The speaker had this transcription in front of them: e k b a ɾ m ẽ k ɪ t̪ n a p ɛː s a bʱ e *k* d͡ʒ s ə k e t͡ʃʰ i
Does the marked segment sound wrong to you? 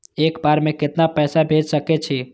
yes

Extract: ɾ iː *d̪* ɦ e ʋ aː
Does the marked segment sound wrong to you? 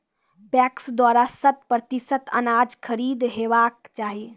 no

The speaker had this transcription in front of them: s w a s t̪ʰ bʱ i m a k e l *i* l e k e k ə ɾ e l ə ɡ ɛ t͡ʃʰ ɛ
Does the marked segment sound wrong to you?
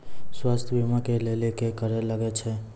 yes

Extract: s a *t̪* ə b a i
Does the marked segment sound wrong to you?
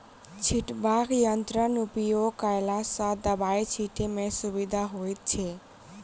yes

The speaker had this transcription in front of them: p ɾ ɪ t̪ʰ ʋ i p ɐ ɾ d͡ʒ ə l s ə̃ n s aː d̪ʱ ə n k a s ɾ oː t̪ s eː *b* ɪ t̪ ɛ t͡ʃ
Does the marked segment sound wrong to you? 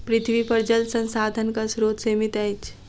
yes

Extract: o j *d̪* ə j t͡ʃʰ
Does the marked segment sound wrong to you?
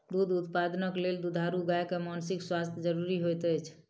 yes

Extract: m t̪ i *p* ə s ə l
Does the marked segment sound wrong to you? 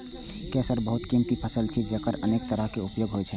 yes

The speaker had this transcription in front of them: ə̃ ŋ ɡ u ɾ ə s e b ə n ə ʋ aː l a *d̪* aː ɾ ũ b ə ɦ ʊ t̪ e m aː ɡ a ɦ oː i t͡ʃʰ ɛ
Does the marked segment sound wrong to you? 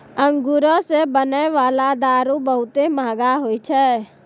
no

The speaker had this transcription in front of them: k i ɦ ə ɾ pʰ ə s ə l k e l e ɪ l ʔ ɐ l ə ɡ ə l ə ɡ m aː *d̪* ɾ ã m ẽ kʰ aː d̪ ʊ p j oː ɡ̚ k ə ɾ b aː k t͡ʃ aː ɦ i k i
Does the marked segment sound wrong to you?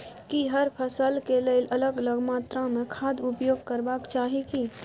yes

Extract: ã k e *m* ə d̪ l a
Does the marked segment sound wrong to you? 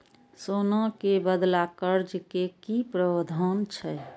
yes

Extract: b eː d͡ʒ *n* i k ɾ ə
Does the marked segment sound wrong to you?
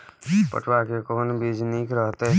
no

